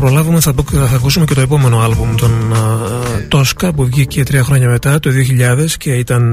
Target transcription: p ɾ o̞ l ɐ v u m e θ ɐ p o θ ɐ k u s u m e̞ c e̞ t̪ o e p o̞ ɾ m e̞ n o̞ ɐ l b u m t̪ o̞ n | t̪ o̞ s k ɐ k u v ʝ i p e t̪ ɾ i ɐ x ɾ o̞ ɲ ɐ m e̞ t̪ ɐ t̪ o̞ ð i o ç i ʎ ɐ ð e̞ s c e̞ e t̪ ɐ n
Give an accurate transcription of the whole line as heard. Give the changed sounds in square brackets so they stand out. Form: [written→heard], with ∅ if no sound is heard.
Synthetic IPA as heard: p ɾ o̞ l ɐ v u m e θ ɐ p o θ ɐ k u s u m e̞ c e̞ t̪ o e p o̞ [ɾ→∅] m e̞ n o̞ ɐ l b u m t̪ o̞ n | t̪ o̞ s k ɐ [k→p] u v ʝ i [p→c] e t̪ ɾ i ɐ x ɾ o̞ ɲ ɐ m e̞ t̪ ɐ t̪ o̞ ð i o ç i ʎ ɐ ð e̞ s c e̞ [e→i] t̪ ɐ n